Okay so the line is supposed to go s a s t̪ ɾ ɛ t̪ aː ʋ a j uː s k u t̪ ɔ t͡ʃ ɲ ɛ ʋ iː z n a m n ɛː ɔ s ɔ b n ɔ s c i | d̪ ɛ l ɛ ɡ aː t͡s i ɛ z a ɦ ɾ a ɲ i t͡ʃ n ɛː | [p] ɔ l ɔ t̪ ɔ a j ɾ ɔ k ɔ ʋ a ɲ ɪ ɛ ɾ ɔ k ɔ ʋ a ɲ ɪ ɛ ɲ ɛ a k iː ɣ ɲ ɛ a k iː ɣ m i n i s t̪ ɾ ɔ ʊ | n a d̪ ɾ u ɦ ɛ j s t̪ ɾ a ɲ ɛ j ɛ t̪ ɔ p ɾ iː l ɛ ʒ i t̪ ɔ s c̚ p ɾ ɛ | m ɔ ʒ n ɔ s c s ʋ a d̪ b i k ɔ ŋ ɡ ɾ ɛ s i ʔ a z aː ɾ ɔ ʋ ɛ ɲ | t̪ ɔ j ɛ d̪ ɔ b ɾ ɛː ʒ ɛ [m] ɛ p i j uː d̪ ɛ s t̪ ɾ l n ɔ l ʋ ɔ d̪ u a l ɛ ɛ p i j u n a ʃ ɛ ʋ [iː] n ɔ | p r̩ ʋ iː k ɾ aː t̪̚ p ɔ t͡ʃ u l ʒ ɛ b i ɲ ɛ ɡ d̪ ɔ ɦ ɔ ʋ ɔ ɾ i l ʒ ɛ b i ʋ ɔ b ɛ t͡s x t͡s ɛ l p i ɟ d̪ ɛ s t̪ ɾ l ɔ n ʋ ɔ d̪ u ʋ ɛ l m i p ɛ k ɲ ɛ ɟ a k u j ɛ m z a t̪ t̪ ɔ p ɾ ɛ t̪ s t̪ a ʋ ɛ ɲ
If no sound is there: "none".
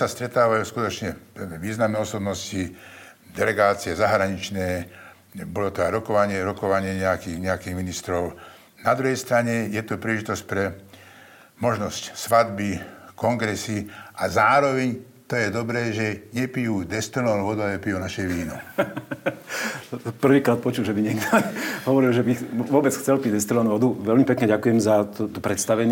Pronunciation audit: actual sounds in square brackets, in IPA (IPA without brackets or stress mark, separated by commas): b, ɲ, iː